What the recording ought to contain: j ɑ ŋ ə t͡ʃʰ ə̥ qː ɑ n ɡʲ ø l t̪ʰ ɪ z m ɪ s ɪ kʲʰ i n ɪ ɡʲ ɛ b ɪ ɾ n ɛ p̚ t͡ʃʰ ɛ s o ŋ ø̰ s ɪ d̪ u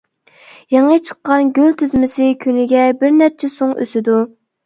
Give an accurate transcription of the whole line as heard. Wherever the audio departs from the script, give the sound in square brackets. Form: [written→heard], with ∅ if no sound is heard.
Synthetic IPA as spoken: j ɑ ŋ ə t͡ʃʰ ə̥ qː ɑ n ɡʲ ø l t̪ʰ ɪ z m ɪ s ɪ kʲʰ [i→y] n ɪ ɡʲ ɛ b ɪ ɾ n ɛ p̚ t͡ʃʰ ɛ s o ŋ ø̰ s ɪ d̪ u